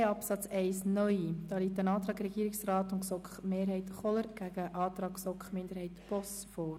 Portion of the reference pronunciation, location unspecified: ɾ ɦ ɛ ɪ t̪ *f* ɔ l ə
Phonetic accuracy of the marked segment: incorrect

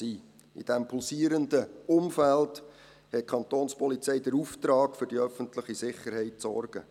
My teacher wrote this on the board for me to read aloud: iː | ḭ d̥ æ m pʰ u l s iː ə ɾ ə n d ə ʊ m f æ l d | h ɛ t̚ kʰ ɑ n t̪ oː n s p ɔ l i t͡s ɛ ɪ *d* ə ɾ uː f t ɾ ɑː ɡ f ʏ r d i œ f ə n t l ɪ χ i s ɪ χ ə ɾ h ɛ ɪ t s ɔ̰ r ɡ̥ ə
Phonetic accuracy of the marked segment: correct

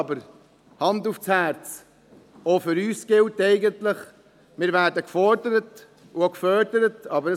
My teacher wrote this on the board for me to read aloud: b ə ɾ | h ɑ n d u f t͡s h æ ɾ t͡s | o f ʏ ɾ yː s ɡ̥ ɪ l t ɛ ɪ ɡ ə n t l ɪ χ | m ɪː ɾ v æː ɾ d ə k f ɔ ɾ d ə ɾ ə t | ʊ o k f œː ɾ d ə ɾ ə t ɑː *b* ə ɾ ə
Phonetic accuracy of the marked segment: correct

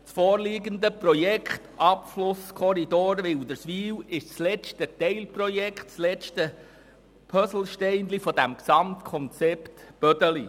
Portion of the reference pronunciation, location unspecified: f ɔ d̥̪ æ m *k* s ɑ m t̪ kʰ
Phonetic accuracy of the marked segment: correct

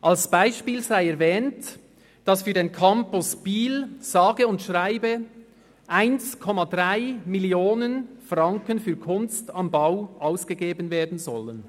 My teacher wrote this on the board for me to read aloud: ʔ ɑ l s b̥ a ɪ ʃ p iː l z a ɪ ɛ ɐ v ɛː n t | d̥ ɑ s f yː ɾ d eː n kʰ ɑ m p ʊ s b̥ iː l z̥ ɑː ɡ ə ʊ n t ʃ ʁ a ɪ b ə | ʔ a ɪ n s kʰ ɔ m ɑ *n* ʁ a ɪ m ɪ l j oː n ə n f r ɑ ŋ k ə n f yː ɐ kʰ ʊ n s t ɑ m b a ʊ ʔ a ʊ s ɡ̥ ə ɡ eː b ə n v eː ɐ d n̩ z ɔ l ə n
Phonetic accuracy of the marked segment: incorrect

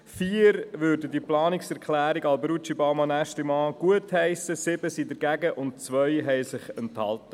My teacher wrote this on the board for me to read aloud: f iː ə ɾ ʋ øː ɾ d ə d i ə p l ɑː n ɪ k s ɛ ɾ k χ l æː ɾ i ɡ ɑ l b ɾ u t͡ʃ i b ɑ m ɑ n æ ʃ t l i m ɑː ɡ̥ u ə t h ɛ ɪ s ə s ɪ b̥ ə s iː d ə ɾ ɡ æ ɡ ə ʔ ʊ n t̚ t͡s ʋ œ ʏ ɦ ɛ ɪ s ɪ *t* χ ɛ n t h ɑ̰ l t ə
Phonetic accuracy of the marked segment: incorrect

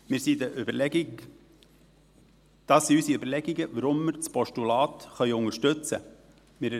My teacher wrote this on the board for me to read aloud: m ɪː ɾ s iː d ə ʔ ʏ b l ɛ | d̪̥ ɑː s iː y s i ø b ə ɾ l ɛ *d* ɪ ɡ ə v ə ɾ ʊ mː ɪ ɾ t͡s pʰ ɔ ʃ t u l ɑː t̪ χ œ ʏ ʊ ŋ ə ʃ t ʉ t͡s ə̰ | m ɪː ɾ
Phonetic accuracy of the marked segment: incorrect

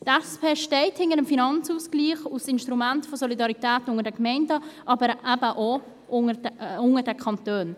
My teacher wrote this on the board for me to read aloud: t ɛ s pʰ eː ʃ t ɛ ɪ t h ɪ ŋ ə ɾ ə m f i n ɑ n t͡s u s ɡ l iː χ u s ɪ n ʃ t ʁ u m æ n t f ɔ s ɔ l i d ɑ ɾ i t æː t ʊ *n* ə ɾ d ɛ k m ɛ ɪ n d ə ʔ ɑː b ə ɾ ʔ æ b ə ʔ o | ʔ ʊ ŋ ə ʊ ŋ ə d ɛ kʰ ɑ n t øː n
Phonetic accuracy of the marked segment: incorrect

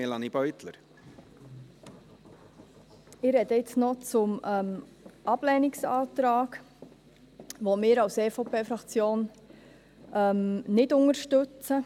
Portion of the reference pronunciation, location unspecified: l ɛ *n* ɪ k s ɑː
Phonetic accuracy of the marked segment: correct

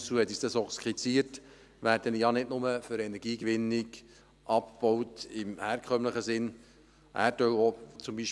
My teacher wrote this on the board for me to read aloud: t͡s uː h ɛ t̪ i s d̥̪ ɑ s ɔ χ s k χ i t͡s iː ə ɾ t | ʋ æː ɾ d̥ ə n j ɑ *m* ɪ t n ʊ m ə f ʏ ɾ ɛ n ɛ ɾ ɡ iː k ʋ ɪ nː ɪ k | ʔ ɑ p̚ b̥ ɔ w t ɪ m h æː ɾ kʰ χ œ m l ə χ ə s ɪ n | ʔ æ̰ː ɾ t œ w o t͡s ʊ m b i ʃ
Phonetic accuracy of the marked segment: incorrect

